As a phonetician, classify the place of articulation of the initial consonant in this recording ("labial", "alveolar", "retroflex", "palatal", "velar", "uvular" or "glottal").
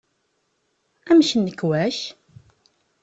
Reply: labial